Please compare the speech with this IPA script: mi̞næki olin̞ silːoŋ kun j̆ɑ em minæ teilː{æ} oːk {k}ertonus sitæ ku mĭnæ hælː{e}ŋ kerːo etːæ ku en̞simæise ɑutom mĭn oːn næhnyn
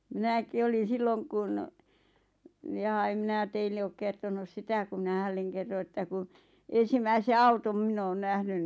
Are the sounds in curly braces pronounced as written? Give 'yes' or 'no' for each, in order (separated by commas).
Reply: no, yes, yes